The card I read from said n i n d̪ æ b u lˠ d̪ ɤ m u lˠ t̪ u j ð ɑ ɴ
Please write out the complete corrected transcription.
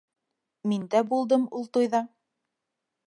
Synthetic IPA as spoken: m i n d̪ æ b u lˠ d̪ ɤ m u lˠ t̪ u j ð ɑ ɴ